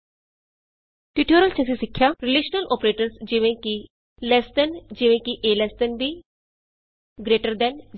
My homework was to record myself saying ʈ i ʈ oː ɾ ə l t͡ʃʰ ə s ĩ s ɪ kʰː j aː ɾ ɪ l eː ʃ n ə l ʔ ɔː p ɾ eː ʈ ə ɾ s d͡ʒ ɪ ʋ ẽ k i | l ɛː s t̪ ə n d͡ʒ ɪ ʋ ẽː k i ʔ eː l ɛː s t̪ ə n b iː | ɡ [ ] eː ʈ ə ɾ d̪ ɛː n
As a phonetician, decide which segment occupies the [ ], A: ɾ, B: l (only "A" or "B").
A